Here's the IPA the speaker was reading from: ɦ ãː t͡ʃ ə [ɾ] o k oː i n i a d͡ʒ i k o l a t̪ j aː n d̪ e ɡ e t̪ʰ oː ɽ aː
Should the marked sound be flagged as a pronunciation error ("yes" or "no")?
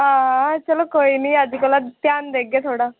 yes